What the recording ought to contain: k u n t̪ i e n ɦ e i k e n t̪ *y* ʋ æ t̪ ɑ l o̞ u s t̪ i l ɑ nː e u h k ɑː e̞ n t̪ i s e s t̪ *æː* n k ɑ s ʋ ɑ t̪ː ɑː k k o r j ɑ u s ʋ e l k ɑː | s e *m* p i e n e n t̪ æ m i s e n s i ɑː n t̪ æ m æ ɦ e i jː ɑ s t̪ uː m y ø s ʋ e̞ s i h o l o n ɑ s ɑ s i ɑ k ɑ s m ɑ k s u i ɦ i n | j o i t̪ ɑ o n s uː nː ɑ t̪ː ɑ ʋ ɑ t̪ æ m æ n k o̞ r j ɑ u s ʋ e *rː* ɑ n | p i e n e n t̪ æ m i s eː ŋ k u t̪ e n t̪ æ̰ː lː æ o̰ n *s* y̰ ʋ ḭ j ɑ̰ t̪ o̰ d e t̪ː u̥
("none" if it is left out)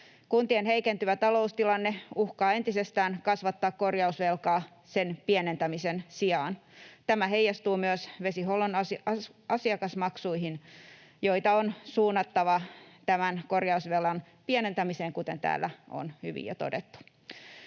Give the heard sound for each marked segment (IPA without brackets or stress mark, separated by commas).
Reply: y, æː, n, lː, h